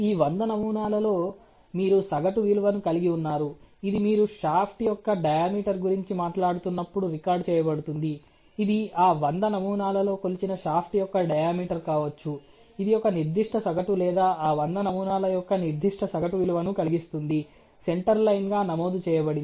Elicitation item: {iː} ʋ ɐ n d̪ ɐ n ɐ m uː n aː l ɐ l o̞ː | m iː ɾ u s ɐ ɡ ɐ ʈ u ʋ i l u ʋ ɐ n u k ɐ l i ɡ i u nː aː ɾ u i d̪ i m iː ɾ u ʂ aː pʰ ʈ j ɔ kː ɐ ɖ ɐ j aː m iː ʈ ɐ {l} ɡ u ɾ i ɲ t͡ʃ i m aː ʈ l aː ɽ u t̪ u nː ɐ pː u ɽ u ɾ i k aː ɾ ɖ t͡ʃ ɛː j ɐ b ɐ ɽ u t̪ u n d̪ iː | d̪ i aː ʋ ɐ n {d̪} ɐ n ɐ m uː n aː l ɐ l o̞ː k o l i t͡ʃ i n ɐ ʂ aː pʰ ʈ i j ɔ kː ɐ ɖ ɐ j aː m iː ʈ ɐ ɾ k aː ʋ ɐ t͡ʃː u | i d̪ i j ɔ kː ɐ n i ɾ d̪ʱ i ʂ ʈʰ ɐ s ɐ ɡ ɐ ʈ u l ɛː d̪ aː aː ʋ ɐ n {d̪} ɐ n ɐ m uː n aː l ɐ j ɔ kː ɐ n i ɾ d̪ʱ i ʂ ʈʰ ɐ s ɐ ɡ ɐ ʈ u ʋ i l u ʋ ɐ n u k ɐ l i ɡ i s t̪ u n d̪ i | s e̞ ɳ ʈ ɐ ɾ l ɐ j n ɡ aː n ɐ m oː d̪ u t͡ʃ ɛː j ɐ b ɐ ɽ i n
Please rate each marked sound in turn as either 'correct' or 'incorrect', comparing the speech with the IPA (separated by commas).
correct, incorrect, correct, correct